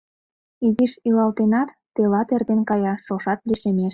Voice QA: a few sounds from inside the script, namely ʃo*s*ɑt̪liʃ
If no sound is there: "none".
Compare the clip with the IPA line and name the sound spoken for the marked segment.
ʃ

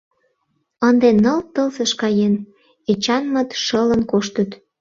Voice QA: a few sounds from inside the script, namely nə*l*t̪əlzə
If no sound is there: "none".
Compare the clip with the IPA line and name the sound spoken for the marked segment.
l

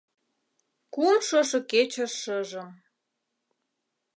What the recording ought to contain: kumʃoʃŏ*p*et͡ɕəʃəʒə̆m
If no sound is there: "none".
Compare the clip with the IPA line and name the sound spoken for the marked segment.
k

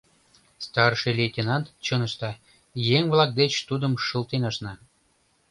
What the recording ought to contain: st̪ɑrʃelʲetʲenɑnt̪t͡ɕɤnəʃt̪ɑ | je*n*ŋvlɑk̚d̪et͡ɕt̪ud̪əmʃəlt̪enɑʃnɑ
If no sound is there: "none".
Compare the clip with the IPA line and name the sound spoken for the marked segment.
none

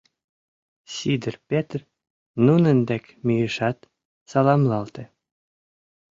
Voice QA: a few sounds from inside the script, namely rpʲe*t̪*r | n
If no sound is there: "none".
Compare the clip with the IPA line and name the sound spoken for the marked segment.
t̪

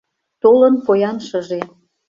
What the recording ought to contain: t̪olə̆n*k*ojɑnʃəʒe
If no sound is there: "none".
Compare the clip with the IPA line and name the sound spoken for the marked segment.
p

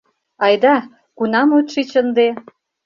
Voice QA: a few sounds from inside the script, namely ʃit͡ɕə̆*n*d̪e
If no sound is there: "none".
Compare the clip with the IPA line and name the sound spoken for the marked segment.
n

